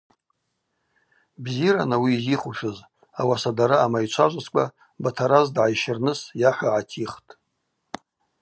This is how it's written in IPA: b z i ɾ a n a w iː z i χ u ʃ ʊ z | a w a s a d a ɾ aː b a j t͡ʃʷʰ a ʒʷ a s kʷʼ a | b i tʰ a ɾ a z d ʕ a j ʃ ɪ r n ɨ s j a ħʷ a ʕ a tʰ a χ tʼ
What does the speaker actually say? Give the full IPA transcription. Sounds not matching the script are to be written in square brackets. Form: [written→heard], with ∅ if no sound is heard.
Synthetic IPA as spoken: b z i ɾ a n a w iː z i χ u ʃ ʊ z | a w a s a d a ɾ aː [b→m] a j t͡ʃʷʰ a ʒʷ a s kʷʼ a | b [i→a] tʰ a ɾ a z d ʕ a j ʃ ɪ r n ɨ s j a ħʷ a ʕ a tʰ [a→i] χ tʼ